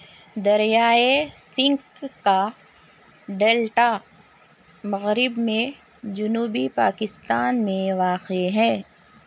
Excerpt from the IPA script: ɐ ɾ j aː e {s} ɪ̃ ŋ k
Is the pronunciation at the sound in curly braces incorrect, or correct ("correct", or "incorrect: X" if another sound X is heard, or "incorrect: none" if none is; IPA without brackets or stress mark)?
correct